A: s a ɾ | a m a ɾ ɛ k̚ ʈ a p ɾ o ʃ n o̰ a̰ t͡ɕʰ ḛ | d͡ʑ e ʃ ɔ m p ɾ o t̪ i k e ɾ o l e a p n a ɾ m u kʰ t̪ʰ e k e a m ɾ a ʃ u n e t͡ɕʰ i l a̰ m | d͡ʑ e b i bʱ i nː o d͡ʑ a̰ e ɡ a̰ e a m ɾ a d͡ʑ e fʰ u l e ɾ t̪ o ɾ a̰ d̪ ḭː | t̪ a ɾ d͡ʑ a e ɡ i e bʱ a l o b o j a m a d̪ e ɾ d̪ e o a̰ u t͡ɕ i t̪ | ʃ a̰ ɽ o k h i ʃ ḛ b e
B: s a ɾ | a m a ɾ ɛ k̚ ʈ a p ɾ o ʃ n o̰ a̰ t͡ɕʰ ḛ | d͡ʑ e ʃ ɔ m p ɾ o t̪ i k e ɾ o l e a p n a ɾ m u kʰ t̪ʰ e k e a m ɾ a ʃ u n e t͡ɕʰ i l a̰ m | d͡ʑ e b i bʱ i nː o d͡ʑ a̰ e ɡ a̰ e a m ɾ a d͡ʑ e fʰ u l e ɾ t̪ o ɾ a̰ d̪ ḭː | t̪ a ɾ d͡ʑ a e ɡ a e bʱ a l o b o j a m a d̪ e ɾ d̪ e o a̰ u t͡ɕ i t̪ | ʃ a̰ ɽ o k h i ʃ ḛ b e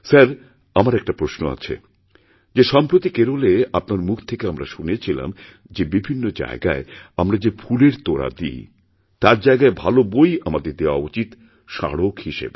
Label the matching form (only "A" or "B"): B